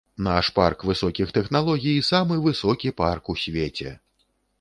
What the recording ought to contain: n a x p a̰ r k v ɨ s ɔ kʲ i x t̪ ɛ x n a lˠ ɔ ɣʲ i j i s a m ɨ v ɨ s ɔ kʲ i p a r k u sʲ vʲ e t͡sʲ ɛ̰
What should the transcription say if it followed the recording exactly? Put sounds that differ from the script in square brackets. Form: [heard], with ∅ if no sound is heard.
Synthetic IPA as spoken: n a [ʂ] p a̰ r k v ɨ s ɔ kʲ i x t̪ ɛ x n a lˠ ɔ ɣʲ i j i s a m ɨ v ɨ s ɔ kʲ i p a r k u sʲ vʲ e t͡sʲ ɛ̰